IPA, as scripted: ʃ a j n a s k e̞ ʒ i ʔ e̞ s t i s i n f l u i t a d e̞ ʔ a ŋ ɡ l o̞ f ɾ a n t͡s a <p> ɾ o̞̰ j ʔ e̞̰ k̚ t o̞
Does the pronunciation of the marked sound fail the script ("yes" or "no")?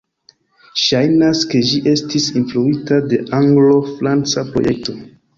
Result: no